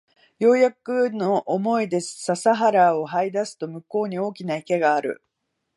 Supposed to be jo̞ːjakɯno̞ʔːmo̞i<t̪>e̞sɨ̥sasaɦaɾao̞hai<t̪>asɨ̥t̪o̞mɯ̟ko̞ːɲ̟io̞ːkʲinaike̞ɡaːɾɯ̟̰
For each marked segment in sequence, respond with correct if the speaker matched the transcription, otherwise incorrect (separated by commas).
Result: incorrect, incorrect